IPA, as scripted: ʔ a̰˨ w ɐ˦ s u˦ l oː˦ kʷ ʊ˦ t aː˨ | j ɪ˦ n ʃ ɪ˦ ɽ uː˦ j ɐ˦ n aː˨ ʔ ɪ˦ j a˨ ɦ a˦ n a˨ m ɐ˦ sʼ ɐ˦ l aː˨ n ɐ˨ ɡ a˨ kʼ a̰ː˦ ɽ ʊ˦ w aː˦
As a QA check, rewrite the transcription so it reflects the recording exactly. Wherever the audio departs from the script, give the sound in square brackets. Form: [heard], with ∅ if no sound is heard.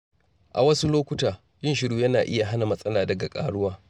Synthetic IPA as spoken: ʔ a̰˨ w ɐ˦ s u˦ l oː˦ kʷ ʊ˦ t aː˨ | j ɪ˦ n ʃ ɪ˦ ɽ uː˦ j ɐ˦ n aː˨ ʔ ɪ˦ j a˨ ɦ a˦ n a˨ m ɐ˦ sʼ ɐ˦ l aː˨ [d] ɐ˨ ɡ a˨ kʼ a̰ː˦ ɽ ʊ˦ w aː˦

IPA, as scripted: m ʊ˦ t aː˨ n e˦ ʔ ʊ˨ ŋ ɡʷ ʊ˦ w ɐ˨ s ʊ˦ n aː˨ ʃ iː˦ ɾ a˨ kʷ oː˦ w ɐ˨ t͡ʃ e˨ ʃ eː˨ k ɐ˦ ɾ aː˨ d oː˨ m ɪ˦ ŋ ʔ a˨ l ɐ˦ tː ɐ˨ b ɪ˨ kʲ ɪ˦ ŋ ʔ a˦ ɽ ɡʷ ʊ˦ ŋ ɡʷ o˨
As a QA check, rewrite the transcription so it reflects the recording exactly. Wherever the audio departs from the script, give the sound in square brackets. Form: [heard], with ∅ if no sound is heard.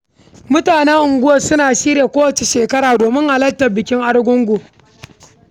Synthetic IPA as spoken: m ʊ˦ t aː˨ n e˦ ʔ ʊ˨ ŋ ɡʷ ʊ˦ w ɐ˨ s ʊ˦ n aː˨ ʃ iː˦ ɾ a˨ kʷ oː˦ w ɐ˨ t͡ʃ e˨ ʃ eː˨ k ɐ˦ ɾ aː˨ d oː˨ m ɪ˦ ŋ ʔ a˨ l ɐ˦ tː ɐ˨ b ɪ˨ kʲ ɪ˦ ŋ ʔ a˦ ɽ ɡʷ ʊ˦ ŋ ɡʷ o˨

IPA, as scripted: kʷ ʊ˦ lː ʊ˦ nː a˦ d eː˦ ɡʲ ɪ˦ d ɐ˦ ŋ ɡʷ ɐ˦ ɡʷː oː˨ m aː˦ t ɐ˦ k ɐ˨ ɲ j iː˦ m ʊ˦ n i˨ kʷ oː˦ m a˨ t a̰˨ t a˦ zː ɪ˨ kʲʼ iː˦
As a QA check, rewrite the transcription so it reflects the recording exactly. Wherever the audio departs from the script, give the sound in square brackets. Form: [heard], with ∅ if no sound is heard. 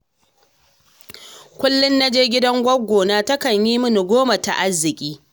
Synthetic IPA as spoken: kʷ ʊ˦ lː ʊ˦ nː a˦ [d͡ʒ] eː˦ ɡʲ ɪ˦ d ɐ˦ ŋ ɡʷ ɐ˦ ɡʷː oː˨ [n] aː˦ t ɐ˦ k ɐ˨ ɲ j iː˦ m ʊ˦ n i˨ [ɡʷ] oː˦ m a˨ t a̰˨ [ʔ] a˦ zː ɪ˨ kʲʼ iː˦

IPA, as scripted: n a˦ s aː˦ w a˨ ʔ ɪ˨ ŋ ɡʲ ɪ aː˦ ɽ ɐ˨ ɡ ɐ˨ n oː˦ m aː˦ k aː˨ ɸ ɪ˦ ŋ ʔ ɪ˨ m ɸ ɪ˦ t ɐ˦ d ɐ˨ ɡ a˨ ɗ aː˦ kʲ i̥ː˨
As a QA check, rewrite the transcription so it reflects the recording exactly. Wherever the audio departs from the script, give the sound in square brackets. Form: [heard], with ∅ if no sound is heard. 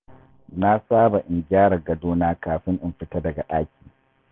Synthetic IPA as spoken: n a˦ s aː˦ [b] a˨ ʔ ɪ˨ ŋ ɡʲ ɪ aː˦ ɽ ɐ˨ ɡ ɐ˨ [d] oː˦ [n] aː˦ k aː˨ ɸ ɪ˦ ŋ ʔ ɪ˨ m ɸ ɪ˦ t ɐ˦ d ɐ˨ ɡ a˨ ɗ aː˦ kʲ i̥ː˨

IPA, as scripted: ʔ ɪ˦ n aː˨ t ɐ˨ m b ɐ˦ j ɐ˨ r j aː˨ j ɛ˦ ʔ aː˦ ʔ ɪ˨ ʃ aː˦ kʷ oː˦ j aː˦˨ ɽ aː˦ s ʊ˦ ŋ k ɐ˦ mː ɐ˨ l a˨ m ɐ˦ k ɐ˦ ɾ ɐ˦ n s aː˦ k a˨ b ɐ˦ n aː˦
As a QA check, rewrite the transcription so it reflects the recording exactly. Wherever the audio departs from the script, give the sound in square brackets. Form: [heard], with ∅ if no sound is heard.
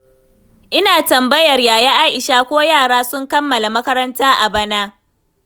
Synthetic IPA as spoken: ʔ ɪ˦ n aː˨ t ɐ˨ m b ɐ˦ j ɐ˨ r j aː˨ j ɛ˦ ʔ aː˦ ʔ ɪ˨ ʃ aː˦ kʷ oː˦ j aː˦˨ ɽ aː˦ s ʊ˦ ŋ k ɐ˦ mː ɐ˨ l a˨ m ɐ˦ k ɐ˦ ɾ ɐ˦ n [t] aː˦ [ʔ] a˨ b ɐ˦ n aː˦

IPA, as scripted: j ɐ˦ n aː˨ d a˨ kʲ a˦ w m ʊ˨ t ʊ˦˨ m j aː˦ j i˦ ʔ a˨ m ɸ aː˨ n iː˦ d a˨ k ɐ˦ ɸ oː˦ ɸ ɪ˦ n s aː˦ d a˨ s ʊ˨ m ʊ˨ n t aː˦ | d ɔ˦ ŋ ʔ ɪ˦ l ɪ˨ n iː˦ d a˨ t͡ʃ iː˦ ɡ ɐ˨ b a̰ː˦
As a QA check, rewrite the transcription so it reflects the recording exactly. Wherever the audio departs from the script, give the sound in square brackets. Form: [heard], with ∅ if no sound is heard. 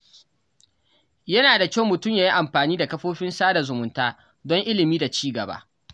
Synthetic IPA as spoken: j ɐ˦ n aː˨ d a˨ kʲ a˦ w m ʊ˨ t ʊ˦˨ m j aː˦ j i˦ ʔ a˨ m ɸ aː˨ n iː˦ d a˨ k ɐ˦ ɸ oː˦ ɸ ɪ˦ n s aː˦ d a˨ [z] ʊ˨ m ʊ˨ n t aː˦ | d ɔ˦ ŋ ʔ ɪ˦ l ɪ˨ [m] iː˦ d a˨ t͡ʃ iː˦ ɡ ɐ˨ b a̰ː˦

